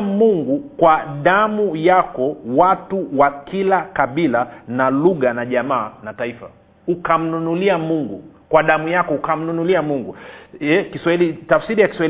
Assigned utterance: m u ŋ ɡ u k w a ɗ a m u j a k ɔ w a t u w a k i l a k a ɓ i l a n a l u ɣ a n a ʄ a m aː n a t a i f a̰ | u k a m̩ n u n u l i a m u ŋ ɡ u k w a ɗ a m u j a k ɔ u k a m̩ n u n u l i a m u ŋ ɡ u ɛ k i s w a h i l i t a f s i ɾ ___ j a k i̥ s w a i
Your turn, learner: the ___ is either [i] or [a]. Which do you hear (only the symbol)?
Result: i